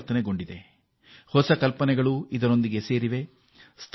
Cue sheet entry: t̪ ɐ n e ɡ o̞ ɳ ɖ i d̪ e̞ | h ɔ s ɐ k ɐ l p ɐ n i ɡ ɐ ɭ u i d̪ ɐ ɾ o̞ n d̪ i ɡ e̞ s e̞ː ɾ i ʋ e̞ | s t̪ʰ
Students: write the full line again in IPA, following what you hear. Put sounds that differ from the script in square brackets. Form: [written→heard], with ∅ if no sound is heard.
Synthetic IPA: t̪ ɐ n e ɡ o̞ ɳ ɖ i d̪ e̞ | h ɔ s ɐ k ɐ l p ɐ n [i→ɛ] ɡ ɐ ɭ u i d̪ ɐ ɾ o̞ n d̪ i ɡ e̞ s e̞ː ɾ i ʋ e̞ | s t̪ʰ

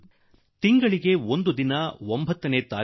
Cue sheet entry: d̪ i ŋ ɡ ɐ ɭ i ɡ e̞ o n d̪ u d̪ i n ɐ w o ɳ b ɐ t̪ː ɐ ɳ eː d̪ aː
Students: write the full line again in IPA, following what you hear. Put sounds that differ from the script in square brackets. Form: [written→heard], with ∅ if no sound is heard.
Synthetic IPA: [d̪→t̪] i ŋ ɡ ɐ ɭ i ɡ e̞ o n d̪ u d̪ i n ɐ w o [ɳ→m] b ɐ t̪ː ɐ [ɳ→n] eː [d̪→t̪] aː

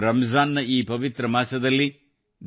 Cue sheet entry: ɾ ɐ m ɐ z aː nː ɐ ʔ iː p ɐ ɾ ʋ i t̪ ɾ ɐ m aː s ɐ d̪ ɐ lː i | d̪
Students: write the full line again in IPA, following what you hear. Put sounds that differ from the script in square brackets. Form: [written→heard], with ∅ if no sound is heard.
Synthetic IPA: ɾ ɐ m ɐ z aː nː ɐ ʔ iː p ɐ [ɾ→∅] ʋ i t̪ ɾ ɐ m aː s ɐ d̪ ɐ lː i | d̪

